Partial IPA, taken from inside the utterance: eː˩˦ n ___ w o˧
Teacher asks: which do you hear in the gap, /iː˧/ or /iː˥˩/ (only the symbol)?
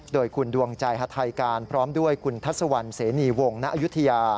iː˧